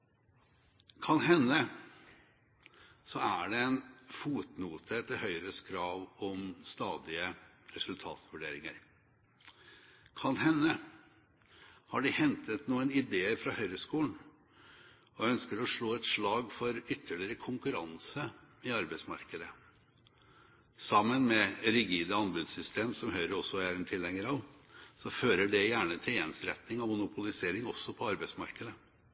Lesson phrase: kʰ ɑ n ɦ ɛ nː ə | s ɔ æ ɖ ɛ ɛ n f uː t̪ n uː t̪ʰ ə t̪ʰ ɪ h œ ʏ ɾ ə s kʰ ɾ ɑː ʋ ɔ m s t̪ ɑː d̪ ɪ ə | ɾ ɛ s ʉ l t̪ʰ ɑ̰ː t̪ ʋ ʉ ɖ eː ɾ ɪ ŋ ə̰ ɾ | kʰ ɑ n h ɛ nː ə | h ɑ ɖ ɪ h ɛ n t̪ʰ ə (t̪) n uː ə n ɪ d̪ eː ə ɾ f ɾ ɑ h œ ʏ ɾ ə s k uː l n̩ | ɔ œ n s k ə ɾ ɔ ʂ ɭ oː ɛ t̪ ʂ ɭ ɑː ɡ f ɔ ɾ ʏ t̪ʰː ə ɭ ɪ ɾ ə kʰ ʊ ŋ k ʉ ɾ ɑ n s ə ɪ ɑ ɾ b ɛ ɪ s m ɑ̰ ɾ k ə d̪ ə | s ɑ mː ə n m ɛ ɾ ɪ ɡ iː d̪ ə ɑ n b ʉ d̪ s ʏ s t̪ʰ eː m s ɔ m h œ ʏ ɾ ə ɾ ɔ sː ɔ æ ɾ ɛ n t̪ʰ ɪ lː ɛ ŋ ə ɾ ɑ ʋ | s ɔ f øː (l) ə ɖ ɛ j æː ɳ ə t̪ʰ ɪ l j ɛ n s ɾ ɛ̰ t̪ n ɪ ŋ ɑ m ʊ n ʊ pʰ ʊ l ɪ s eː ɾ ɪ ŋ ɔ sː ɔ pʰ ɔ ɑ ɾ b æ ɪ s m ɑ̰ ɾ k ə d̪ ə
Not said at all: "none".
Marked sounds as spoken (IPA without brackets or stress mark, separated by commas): t̪, ɾ